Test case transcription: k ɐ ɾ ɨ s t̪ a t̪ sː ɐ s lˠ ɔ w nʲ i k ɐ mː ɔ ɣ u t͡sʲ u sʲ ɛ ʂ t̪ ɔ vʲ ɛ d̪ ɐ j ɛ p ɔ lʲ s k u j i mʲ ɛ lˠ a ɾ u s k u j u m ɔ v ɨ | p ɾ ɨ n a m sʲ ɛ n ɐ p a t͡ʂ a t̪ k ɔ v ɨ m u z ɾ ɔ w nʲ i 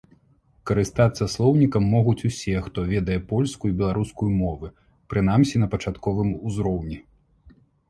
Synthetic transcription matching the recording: k ɐ ɾ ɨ s t̪ a t̪ sː ɐ s lˠ ɔ w nʲ i k ɐ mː ɔ ɣ u t͡sʲ u sʲ ɛ x t̪ ɔ vʲ ɛ d̪ ɐ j ɛ p ɔ lʲ s k u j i bʲ ɛ lˠ a ɾ u s k u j u m ɔ v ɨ | p ɾ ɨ n a m sʲ i n ɐ p ɐ t͡ʂ a t̪ k ɔ v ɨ m u z ɾ ɔ w nʲ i

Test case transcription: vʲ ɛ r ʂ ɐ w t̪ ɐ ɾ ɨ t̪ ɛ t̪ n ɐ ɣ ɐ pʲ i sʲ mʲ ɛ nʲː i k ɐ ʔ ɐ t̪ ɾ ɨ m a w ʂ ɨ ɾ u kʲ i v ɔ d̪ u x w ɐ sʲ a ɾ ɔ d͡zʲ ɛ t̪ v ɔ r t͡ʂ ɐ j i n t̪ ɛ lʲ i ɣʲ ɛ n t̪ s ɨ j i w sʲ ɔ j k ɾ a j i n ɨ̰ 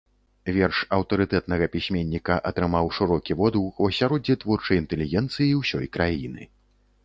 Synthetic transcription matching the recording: vʲ ɛ r ʂ ɐ w t̪ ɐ ɾ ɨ t̪ ɛ t̪ n ɐ ɣ ɐ pʲ i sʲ mʲ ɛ nʲː i k ɐ ʔ ɐ t̪ ɾ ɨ m a w ʂ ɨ ɾ ɔ kʲ i v ɔ d̪ u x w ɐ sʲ a ɾ ɔ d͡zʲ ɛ t̪ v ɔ r t͡ʂ ɐ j i n t̪ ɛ lʲ i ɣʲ ɛ n t̪ s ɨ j i w sʲ ɔ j k ɾ a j i n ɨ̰

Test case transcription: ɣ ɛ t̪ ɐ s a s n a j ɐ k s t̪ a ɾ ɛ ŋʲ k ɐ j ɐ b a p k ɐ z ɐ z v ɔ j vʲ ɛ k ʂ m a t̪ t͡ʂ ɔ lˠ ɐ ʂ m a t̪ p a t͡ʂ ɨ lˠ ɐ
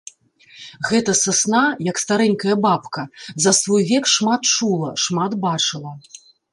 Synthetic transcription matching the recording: ɣ ɛ t̪ ɐ s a s n a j ɐ k s t̪ a ɾ ɛ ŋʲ k ɐ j ɐ b a p k ɐ z ɐ s v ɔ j vʲ ɛ k ʂ m a t̪ t͡ʂ u lˠ ɐ ʂ m a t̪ b a t͡ʂ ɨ lˠ ɐ

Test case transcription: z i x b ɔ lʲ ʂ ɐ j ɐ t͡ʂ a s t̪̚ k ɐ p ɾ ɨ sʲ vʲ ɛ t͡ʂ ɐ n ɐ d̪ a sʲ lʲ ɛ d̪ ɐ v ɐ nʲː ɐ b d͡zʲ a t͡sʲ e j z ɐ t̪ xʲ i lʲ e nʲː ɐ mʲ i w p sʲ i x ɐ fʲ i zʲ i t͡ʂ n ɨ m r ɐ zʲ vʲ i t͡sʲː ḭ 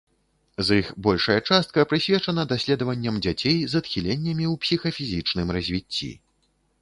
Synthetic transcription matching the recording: z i x b ɔ lʲ ʂ ɐ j ɐ t͡ʂ a s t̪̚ k ɐ p ɾ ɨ sʲ vʲ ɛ t͡ʂ ɐ n ɐ d̪ a sʲ lʲ ɛ d̪ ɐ v ɐ nʲː ɐ m d͡zʲ a t͡sʲ e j z ɐ t̪ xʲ i lʲ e nʲː ɐ mʲ i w p sʲ i x ɐ fʲ i zʲ i t͡ʂ n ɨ m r ɐ zʲ vʲ i t͡sʲː ḭ

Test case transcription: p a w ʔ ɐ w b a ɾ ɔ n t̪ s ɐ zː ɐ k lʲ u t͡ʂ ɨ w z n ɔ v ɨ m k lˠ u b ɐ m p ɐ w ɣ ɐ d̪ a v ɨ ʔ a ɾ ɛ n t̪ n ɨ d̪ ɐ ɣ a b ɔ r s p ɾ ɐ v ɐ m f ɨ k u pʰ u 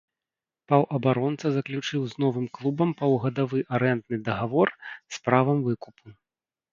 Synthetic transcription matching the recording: p a w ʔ ɐ b a ɾ ɔ n t̪ s ɐ z ɐ k lʲ u t͡ʂ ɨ w z n ɔ v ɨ m k lˠ u b ɐ m p ɐ w ɣ ɐ d̪ a v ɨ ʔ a ɾ ɛ n t̪ n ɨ d̪ ɐ ɣ a v ɔ r s p ɾ a v ɐ m v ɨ k u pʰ u

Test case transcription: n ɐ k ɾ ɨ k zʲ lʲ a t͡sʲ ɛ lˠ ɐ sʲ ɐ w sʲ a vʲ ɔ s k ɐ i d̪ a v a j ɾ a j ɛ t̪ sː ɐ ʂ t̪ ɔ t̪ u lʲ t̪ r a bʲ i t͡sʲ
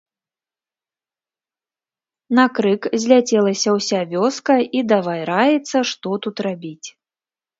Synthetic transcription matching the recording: n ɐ k ɾ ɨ k zʲ lʲ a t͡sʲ ɛ lˠ ɐ sʲ ɐ w sʲ a vʲ ɔ s k ɐ i d̪ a v a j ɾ a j ɛ t̪ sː ɐ ʂ t̪ ɔ t̪ u t̪ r a bʲ i t͡sʲ

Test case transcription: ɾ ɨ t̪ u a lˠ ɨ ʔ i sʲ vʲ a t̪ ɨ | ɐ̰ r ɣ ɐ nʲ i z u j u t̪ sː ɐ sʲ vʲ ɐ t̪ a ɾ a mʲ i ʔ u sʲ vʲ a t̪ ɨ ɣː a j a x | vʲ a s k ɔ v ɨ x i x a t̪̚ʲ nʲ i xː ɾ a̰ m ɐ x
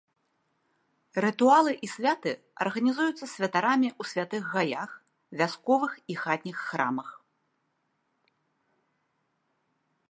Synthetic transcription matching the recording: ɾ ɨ t̪ u a lˠ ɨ ʔ i sʲ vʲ a t̪ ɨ | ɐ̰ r ɣ ɐ nʲ i z u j u t̪ sː ɐ sʲ vʲ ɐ t̪ a ɾ a mʲ i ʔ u sʲ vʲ a t̪ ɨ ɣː a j a x | vʲ a s k ɔ v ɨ x i x a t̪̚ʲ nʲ i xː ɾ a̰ m ɐ x

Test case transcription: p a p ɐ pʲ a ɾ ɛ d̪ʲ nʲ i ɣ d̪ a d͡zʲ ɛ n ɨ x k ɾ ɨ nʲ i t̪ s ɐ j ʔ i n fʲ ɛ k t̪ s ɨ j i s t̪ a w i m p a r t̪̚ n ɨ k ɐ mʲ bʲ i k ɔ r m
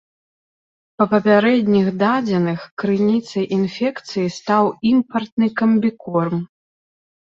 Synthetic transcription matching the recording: p ɐ p ɐ pʲ a ɾ ɛ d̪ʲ nʲ i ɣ d̪ a d͡zʲ ɛ n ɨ x k ɾ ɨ nʲ i t̪ s ɐ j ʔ i n fʲ ɛ k t̪ s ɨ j i s t̪ a w i m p ɐ r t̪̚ n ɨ k ɐ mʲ bʲ i k ɔ r m

